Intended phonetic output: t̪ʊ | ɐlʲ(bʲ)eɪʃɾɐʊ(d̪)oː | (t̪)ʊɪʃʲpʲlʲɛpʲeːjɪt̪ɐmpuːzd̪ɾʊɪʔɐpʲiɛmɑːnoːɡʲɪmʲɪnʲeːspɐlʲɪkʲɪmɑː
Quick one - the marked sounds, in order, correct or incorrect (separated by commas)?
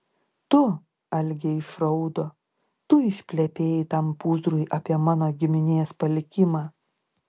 incorrect, correct, correct